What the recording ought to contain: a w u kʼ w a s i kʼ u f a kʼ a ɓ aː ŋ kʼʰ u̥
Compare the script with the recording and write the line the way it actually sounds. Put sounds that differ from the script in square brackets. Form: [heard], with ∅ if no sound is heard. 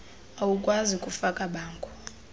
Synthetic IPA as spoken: a w u kʼ w a [z] i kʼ u f a kʼ a ɓ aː ŋ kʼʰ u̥